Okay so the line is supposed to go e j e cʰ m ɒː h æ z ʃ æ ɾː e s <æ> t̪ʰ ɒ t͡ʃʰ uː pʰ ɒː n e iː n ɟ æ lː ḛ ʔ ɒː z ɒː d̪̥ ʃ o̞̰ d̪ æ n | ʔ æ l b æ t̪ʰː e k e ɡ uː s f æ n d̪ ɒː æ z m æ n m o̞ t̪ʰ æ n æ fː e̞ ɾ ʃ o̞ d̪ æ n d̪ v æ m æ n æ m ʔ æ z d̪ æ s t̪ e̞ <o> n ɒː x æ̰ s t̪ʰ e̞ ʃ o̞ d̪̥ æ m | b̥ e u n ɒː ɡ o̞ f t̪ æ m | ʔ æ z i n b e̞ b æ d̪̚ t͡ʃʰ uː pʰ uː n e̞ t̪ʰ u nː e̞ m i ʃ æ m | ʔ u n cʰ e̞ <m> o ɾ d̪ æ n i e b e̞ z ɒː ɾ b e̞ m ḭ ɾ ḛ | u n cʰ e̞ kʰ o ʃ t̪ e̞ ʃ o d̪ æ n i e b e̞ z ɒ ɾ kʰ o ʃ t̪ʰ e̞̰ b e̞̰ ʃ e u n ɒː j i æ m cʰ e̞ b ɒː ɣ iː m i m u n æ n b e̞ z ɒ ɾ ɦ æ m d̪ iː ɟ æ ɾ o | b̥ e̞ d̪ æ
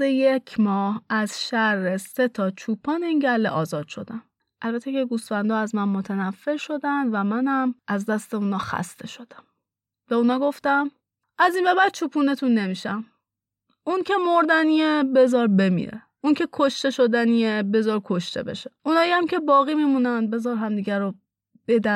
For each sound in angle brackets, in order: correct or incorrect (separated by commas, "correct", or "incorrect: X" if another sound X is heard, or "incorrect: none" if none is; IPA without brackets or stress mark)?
incorrect: e, incorrect: u, correct